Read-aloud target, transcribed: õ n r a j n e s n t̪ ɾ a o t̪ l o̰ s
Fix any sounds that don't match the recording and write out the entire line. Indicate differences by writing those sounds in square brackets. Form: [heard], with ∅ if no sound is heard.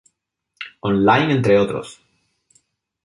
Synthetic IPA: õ n [l] a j n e [∅] n t̪ ɾ [e] o t̪ [ɾ] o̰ s